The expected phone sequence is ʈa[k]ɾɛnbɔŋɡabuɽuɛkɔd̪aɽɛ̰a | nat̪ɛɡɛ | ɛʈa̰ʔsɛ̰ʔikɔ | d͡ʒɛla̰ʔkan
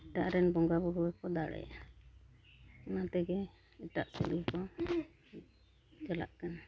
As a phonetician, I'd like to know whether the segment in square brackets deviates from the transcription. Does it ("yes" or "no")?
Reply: yes